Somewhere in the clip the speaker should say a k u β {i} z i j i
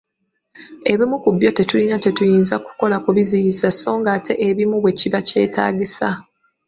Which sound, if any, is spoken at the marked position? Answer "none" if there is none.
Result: i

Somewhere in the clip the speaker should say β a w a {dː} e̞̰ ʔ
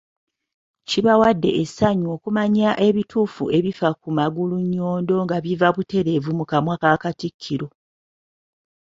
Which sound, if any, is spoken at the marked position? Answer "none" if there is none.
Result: dː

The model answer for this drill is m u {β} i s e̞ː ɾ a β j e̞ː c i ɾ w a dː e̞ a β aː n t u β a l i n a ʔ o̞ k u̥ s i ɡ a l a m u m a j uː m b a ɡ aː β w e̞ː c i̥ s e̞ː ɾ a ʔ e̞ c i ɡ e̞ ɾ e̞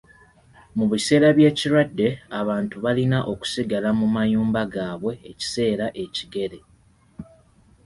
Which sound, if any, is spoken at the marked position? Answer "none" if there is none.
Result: β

